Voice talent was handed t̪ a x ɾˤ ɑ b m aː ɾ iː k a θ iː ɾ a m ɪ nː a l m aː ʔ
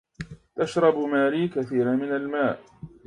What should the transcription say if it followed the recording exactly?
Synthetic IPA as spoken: t̪ a ʃ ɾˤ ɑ b m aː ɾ iː k a θ iː ɾ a m ɪ n a l m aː ʔ